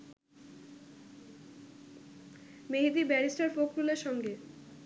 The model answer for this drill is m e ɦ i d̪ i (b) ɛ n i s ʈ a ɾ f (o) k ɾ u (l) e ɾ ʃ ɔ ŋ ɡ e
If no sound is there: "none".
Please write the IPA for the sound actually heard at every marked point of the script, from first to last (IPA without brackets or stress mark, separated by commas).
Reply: b, o, l